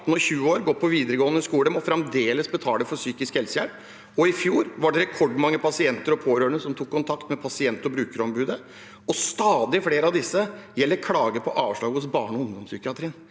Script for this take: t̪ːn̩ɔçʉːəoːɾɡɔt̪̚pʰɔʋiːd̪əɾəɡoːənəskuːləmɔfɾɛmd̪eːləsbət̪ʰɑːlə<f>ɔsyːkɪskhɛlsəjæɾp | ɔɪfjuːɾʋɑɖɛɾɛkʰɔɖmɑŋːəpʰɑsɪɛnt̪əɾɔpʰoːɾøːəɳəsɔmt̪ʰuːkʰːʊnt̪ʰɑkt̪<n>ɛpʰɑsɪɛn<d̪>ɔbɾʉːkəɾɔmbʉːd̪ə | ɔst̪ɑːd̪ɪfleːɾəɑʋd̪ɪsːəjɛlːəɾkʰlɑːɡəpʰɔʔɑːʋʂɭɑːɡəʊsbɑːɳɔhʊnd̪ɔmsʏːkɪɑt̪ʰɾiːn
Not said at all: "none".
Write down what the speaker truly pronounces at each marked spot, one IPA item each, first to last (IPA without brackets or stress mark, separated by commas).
f, m, t̪